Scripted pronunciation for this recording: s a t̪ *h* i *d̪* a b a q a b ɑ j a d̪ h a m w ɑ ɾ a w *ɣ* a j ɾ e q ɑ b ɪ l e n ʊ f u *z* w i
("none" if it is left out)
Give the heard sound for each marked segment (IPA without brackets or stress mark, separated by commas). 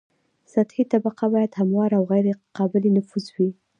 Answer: h, t̪, ɣ, z